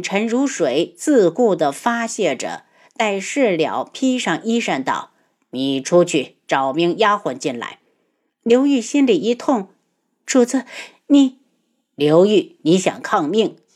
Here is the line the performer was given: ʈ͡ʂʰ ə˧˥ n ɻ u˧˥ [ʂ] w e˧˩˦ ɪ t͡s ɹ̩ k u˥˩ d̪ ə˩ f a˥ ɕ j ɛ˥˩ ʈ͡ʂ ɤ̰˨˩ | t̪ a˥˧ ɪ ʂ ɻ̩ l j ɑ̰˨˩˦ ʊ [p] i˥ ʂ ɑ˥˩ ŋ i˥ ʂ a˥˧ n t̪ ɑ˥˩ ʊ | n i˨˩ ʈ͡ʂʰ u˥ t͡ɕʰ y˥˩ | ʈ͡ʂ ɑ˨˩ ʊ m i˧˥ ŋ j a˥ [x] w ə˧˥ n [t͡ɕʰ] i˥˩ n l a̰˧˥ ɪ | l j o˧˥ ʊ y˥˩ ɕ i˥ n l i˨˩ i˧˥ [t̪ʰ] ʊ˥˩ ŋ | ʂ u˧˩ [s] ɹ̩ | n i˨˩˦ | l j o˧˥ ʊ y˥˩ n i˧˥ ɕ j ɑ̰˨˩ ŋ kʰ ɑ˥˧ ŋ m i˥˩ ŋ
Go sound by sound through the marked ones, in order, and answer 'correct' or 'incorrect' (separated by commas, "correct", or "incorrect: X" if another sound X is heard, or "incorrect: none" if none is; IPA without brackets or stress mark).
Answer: correct, incorrect: pʰ, correct, incorrect: t͡ɕ, correct, incorrect: t͡s